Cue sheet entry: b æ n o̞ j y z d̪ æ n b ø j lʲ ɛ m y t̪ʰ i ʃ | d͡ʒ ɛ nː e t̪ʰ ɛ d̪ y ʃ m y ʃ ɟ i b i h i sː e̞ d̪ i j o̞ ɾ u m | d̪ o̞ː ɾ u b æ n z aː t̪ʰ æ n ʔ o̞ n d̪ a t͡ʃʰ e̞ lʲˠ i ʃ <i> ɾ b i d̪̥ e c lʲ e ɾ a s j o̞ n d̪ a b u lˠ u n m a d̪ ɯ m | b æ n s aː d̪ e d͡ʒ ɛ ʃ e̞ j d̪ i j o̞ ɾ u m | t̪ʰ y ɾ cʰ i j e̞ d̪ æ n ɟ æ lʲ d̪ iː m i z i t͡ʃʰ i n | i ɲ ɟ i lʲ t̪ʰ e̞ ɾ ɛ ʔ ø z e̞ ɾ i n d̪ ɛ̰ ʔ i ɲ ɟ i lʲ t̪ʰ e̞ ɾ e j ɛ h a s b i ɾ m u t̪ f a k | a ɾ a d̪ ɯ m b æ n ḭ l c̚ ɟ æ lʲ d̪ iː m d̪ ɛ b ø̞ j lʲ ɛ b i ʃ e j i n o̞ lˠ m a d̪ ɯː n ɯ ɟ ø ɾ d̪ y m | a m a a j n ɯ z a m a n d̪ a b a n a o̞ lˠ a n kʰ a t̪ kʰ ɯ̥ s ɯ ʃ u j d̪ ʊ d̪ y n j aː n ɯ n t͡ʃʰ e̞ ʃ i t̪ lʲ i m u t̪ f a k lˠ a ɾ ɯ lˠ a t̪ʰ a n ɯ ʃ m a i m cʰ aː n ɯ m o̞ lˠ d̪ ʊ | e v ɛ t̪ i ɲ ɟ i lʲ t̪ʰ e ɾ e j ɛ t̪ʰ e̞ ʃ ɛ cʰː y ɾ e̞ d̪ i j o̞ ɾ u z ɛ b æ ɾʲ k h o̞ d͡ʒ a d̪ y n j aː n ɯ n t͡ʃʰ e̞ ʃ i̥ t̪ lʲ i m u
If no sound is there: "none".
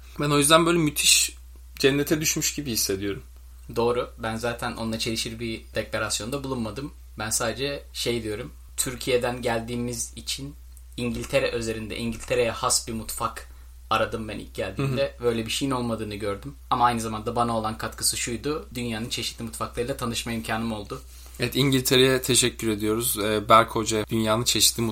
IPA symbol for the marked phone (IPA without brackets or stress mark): i